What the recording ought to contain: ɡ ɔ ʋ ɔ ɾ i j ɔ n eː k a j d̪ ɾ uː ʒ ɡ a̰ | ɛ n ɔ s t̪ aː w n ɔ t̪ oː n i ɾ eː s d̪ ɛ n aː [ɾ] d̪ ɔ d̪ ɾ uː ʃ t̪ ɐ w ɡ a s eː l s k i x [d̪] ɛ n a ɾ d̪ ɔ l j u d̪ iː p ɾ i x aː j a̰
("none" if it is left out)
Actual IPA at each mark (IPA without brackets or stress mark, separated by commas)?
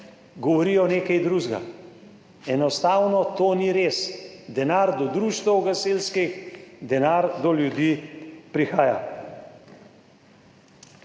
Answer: ɾ, d̪